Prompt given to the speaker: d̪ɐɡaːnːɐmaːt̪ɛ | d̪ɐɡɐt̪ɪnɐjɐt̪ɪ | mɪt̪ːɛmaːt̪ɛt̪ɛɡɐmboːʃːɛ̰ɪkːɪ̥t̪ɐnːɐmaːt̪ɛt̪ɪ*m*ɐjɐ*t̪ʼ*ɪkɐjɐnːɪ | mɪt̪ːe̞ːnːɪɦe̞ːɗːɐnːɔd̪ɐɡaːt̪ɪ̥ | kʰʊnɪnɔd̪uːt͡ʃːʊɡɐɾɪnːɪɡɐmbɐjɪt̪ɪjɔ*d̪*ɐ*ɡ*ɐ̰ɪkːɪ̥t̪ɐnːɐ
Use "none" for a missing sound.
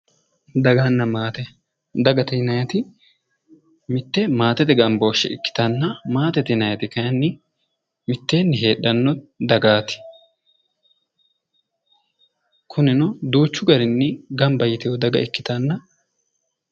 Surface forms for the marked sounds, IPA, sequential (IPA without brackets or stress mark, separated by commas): n, t̪, d̪, ɡ